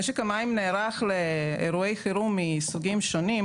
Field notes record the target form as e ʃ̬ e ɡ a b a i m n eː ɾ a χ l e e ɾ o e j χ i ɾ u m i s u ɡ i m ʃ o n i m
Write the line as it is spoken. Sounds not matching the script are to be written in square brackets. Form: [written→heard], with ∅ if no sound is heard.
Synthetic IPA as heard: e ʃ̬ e [ɡ→k] a [b→m] a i m n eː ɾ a χ l e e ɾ [o→u] e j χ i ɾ u m i s u ɡ i m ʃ o n i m

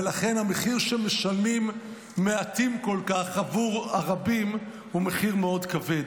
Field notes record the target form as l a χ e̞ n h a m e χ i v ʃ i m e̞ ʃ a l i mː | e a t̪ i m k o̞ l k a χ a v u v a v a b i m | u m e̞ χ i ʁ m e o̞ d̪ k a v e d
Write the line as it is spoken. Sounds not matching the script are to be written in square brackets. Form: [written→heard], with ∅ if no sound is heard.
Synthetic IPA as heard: l a χ e̞ n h a m e χ i [v→ʁ] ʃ [i→e] m e̞ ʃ a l i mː | e a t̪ i m k o̞ l k a χ a v u [v→ʁ] a [v→ʁ] a b i m | u m e̞ χ i ʁ m e o̞ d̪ k a v e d

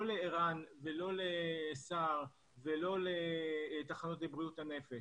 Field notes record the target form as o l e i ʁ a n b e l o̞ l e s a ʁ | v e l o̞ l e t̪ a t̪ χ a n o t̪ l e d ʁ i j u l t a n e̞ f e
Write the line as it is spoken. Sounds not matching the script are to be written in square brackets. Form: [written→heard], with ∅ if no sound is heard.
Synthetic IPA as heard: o l e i ʁ a n [b→v] e l o̞ l e s a ʁ | v e l o̞ l e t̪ a [t̪→∅] χ a n o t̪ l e [d→b] ʁ i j u [l→∅] t a n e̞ f e

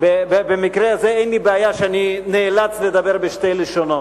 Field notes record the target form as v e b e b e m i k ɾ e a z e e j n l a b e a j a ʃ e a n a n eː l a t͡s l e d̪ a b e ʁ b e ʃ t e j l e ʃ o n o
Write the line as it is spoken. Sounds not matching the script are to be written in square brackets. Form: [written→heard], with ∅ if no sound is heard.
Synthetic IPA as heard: [v→b] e b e b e m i k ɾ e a z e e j n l [a→i] b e a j a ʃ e a n [a→i] n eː l a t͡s l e d̪ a b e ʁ b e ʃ t e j l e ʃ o n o

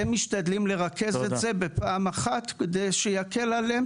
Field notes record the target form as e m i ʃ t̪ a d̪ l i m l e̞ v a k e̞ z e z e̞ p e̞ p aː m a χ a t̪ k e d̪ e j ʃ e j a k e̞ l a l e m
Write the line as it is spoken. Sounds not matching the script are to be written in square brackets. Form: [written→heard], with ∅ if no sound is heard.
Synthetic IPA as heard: e m i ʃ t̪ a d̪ l i m l e̞ [v→ʁ] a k e̞ z e z e̞ [p→b] e̞ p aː m a χ a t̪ k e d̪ e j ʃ e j a k e̞ l a l e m

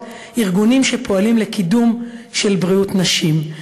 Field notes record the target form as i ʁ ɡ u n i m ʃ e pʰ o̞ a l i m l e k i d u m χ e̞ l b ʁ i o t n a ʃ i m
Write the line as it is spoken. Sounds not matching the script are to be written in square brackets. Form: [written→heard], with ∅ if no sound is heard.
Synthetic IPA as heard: i ʁ ɡ u n i m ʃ e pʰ o̞ a l i m l e k i d u m [χ→ʃ] e̞ l b ʁ i [o→u] t n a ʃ i m

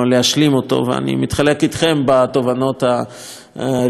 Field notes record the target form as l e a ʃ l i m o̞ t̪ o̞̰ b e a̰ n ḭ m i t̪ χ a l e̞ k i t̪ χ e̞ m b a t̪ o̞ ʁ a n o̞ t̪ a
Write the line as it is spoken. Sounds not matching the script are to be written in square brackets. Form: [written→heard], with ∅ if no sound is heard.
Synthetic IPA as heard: l e a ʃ l i m o̞ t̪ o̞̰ [b→v] e a̰ n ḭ m i t̪ χ a l e̞ k i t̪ χ e̞ m b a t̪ o̞ [ʁ→v] a n o̞ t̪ a

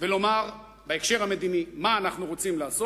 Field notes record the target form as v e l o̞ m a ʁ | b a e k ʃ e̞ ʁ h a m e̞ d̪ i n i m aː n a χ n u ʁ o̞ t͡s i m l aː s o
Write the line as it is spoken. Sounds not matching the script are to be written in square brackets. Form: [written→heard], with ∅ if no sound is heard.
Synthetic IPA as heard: v e l o̞ m a ʁ | b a e k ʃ e̞ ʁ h a m e̞ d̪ i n i m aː n a χ n u ʁ o̞ t͡s i m l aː s o

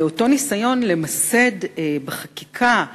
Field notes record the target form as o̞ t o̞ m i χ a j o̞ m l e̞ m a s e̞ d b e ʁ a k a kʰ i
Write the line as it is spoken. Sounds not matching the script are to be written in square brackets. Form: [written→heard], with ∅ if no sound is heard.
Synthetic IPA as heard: o̞ t o̞ [m→n] i [χ→s] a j o̞ [m→n] l e̞ m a s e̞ d b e [ʁ→χ] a k [a→i] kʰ [i→a]

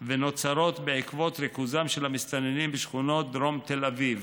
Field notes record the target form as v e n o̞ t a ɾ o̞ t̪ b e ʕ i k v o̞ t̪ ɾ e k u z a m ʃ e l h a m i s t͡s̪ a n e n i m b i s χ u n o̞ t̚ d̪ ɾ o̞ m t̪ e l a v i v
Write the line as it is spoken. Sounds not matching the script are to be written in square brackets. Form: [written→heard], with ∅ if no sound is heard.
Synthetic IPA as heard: v e n o̞ [t→t͡s] a ɾ o̞ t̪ b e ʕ i k v o̞ t̪ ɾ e k u z a m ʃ e l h a m i s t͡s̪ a n e n i m b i [s→ʃ] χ u n o̞ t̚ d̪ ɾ o̞ m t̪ e l a v i v

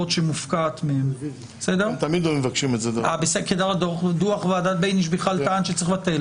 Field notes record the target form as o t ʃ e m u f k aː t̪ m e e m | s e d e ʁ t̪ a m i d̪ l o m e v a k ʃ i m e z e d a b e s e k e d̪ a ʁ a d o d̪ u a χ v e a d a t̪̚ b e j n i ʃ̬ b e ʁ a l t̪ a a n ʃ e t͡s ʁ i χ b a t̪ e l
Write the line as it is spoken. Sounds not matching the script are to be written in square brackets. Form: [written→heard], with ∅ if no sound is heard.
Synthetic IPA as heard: o t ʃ e m u f k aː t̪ m e e m | s e d e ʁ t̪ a m i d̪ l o m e v a k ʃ i m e z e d a b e s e k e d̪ a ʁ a d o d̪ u a χ v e a d a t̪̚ b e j n i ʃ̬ b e [ʁ→χ] a l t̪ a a n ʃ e t͡s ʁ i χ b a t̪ e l

